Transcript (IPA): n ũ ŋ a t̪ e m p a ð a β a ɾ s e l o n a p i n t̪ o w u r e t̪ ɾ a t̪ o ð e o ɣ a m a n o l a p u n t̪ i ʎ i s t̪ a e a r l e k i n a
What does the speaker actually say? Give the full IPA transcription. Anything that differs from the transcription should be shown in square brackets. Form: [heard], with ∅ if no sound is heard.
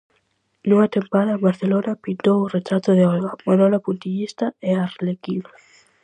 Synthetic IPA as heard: n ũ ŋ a t̪ e m p a ð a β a ɾ [θ] e l o n a p i n t̪ o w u r e t̪ ɾ a t̪ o ð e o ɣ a m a n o l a p u n t̪ i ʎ i s t̪ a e a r l e k i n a

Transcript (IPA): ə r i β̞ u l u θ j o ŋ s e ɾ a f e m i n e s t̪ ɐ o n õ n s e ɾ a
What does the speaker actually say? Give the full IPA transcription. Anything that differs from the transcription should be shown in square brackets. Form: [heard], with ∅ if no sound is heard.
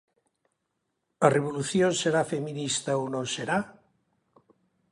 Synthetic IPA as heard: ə r [e] β̞ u l u θ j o [n] s e ɾ a f e m i n [i] s t̪ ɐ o n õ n s e ɾ a

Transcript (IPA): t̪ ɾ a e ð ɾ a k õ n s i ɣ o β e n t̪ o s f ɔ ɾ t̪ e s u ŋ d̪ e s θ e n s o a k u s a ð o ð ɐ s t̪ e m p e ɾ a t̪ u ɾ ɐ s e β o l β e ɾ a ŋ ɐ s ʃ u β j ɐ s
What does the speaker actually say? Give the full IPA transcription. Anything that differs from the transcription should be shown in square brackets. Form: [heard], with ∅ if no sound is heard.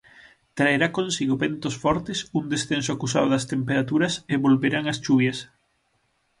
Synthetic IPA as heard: t̪ ɾ a e [∅] ɾ a k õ n s i ɣ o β e n t̪ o s f ɔ ɾ t̪ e s u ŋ d̪ e s θ e n s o a k u s a ð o ð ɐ s t̪ e m p e ɾ a t̪ u ɾ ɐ s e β o l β e ɾ a ŋ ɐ s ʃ u β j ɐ s

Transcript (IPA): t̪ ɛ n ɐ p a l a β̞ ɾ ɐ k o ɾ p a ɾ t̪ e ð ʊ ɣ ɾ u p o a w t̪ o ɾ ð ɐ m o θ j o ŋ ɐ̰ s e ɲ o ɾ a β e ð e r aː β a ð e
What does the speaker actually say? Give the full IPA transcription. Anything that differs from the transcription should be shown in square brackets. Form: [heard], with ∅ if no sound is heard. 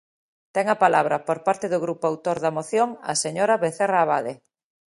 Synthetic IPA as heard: t̪ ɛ [ŋ] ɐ p a l a β̞ ɾ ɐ [p] o ɾ p a ɾ t̪ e ð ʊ ɣ ɾ u p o a w t̪ o ɾ ð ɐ m o θ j o ŋ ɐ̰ s e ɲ o ɾ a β e [θ] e r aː β a ð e

